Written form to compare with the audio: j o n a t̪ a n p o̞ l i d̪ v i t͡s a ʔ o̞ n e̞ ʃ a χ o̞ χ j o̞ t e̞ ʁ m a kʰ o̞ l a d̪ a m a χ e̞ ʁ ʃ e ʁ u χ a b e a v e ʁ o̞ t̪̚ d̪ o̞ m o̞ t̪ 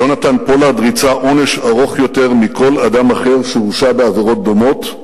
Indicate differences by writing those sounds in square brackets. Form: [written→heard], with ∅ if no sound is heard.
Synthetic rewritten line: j o n a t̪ a n p o̞ l [i→a] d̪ [v→ʁ] i t͡s a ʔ o̞ n e̞ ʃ a [χ→ʁ] o̞ χ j o̞ t e̞ ʁ m [a→i] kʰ o̞ l a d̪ a m a χ e̞ ʁ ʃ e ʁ u [χ→ʃ] a b e a v e ʁ o̞ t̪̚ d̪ o̞ m o̞ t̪